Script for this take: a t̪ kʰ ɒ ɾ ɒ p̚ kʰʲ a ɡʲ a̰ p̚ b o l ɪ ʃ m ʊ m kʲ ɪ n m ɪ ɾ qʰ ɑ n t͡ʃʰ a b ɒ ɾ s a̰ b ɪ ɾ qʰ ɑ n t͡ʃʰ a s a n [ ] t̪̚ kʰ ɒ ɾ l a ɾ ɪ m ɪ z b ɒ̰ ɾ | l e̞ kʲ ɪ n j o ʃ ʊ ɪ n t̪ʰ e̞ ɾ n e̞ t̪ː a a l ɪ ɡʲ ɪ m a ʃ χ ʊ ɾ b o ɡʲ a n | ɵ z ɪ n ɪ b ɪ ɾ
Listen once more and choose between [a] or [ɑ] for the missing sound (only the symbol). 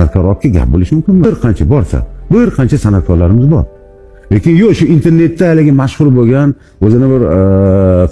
a